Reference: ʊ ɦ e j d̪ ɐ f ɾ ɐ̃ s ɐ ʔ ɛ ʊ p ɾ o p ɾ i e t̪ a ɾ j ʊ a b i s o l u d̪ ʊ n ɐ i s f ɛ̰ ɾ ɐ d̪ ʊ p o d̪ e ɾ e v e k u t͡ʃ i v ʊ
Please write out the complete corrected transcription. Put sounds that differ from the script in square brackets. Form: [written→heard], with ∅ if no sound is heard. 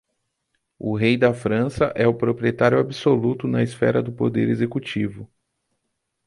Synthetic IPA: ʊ ɦ e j d̪ ɐ f ɾ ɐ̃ s ɐ ʔ ɛ ʊ p ɾ o p ɾ i e t̪ a ɾ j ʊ a b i s o l u [d̪→t̪] ʊ n ɐ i s f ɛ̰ ɾ ɐ d̪ ʊ p o d̪ e ɾ e [v→z] e k u t͡ʃ i v ʊ